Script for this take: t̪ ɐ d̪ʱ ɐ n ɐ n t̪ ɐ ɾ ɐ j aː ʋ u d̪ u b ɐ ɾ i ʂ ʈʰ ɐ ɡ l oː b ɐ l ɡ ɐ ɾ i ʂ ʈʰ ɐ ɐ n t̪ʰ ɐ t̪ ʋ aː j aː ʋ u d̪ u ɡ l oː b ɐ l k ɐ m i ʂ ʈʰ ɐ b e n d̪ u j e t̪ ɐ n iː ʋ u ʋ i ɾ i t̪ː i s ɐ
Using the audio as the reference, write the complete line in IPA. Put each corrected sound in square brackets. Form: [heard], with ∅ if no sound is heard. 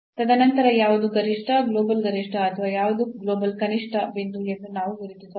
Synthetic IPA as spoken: t̪ ɐ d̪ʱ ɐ n ɐ n t̪ ɐ ɾ ɐ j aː ʋ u d̪ u [ɡ] ɐ ɾ i ʂ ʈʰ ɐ ɡ l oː b ɐ l ɡ ɐ ɾ i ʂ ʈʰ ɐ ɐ [∅] t̪ʰ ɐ [∅] ʋ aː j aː ʋ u d̪ u ɡ l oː b ɐ l k ɐ [n] i ʂ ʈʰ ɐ b e n d̪ u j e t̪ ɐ n [aː] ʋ u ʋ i ɾ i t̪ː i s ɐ